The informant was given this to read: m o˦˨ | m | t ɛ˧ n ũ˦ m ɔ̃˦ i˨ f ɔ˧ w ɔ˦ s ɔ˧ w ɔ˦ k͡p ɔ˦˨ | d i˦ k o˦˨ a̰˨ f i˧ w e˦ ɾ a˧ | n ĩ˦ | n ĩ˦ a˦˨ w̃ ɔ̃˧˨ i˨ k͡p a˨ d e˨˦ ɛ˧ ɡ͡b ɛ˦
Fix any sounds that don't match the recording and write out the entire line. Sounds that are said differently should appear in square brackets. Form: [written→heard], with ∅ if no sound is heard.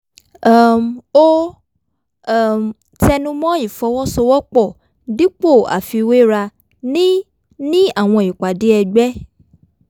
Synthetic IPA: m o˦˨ | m | t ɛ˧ n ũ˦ m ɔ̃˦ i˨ f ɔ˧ w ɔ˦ s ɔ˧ w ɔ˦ k͡p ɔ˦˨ | d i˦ [k→k͡p] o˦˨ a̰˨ f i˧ w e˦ ɾ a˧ | n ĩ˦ | n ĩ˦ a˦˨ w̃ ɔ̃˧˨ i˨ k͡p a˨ d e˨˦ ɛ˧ ɡ͡b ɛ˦